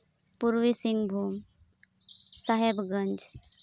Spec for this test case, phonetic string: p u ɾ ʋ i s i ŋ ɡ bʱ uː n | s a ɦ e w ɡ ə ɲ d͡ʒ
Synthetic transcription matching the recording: p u ɾ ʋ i s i ŋ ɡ bʱ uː m | s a ɦ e b ɡ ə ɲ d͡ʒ